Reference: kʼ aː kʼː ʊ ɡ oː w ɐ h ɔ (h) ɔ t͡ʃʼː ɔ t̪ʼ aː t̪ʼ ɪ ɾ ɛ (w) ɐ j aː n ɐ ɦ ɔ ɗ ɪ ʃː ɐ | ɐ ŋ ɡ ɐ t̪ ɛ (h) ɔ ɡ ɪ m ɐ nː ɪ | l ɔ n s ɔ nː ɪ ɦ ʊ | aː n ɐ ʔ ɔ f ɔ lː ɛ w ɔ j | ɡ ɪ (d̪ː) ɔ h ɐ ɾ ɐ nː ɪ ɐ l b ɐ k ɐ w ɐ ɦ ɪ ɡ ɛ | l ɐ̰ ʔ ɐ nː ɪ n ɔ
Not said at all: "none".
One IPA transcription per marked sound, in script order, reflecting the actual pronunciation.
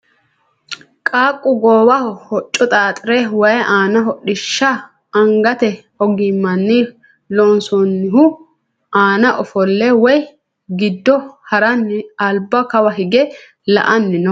h, w, h, d̪ː

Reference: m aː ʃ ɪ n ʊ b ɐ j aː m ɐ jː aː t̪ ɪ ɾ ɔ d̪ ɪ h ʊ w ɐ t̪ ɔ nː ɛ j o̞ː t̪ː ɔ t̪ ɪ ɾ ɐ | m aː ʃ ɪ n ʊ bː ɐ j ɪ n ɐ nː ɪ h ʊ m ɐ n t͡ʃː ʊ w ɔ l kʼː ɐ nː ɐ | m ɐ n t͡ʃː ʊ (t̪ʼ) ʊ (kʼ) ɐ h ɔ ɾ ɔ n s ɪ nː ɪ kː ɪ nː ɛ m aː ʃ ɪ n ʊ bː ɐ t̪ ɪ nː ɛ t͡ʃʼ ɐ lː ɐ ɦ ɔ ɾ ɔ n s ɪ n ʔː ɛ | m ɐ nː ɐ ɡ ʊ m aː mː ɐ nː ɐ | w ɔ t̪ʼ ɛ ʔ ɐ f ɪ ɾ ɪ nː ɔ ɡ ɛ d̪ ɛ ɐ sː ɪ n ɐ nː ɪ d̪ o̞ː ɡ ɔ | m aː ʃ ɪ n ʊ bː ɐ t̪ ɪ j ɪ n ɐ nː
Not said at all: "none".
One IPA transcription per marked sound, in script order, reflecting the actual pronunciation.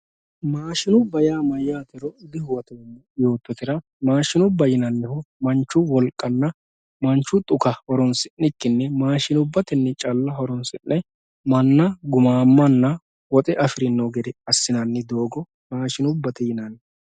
t̪ʼ, k

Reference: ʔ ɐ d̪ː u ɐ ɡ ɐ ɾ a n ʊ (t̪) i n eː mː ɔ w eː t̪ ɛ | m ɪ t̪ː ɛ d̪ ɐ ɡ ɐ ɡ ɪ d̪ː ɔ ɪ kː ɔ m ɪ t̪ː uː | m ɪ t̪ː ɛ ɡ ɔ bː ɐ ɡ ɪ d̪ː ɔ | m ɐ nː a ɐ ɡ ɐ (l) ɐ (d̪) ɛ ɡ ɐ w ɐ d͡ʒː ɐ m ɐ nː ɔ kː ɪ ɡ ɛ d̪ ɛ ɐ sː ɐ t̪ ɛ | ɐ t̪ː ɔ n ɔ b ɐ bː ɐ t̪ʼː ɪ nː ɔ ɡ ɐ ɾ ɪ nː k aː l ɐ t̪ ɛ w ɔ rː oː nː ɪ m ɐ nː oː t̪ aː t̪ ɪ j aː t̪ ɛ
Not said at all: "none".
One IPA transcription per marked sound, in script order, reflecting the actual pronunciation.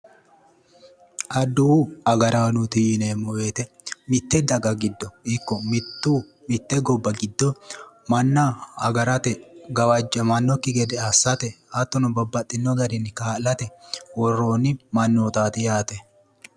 t̪, ɾ, t̪

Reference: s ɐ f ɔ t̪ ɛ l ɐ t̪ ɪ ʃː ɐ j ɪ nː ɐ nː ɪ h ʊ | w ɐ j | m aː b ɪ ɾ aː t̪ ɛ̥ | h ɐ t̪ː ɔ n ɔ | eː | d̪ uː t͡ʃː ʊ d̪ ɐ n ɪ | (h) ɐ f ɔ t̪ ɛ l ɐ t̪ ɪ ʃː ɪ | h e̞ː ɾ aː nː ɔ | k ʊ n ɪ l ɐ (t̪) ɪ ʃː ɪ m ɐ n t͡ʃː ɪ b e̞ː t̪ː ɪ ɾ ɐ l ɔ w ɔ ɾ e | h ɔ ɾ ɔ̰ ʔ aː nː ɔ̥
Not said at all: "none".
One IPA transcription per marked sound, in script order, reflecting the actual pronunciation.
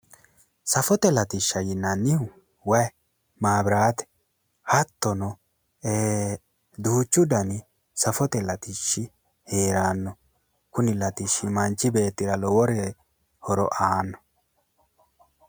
s, t̪

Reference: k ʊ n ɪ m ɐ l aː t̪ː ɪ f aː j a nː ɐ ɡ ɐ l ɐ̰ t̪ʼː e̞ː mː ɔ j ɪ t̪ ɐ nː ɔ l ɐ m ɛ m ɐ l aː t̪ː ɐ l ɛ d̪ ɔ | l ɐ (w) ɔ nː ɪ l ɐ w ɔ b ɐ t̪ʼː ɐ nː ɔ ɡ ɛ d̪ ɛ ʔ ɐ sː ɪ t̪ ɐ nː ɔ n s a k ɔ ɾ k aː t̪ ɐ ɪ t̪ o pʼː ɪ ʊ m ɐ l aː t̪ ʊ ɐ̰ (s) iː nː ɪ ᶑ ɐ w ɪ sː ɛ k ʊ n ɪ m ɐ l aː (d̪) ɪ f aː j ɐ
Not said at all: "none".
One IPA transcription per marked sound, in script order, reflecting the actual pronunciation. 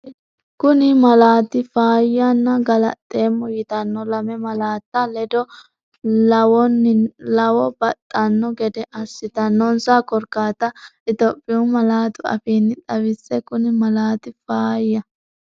w, f, t̪

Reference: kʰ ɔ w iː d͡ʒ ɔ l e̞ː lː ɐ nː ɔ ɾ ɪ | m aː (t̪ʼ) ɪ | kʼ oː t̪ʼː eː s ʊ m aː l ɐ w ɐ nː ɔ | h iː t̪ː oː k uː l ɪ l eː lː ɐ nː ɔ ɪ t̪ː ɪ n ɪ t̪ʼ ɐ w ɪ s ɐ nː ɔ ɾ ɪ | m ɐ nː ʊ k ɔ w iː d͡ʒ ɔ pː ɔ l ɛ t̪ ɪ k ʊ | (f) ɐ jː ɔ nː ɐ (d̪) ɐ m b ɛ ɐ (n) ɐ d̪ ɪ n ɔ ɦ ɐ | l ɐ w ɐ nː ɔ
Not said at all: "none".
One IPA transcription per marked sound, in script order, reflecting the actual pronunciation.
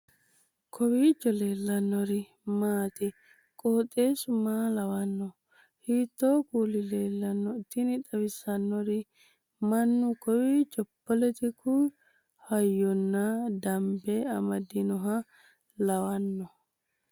t̪, h, d̪, m

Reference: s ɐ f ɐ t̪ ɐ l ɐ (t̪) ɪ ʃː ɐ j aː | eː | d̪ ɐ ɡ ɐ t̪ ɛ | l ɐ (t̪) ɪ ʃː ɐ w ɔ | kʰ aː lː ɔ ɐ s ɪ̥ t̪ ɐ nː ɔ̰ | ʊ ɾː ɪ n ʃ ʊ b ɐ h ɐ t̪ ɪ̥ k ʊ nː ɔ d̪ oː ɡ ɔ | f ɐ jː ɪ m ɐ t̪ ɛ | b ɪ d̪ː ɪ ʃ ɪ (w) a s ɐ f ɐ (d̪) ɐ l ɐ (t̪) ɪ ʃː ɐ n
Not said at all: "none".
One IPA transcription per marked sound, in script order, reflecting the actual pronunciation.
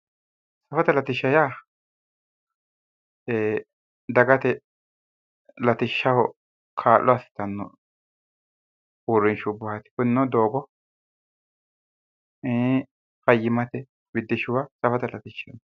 t̪, t̪, w, t̪, t̪

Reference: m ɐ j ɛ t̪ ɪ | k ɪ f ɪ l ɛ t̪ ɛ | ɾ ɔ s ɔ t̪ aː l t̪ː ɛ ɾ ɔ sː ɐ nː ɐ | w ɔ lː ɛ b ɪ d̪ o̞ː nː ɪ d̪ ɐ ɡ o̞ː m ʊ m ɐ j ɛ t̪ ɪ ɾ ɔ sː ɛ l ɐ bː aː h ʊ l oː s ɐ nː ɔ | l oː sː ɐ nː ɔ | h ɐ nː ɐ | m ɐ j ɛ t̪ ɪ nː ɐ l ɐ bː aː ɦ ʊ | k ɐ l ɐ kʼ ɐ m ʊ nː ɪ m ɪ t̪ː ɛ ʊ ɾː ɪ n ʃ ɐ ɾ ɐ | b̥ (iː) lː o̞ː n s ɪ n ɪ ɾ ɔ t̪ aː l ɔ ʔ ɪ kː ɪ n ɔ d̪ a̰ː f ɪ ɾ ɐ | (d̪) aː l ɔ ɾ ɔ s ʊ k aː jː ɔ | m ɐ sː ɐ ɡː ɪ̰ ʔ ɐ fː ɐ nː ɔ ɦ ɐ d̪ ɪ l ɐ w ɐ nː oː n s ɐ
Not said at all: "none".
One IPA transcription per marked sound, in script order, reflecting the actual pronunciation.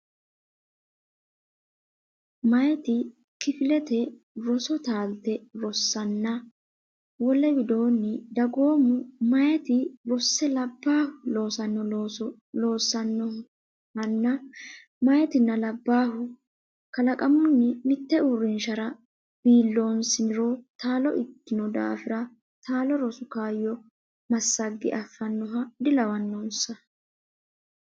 iː, t̪

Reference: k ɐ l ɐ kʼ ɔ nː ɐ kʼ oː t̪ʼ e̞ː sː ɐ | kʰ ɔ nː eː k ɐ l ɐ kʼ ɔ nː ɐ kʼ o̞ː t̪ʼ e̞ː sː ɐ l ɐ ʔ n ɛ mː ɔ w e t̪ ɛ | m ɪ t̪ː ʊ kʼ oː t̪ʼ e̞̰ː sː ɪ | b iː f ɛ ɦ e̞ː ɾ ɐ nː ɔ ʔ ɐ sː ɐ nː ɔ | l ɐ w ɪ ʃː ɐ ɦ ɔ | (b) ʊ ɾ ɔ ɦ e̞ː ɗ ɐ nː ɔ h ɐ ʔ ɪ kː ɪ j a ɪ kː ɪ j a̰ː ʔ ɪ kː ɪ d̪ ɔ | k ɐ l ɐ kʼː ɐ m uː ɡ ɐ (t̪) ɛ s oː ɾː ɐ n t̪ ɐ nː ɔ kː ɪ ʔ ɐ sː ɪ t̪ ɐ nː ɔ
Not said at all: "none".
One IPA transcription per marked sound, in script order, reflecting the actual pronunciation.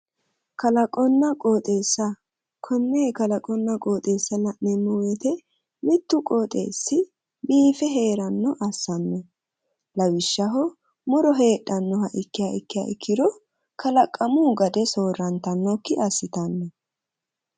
m, d̪

